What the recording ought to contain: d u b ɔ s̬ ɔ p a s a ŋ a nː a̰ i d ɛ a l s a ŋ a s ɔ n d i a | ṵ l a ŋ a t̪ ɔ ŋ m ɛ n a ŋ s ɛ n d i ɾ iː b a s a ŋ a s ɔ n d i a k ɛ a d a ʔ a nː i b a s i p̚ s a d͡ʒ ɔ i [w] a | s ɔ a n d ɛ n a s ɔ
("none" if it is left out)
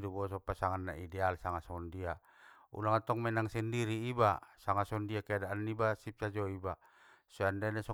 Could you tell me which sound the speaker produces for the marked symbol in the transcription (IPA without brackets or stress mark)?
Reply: b